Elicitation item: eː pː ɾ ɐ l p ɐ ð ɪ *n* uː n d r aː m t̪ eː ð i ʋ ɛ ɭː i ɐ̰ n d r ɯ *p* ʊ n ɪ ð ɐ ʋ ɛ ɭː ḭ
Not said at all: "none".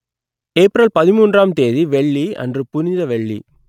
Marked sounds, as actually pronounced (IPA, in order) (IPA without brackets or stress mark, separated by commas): m, p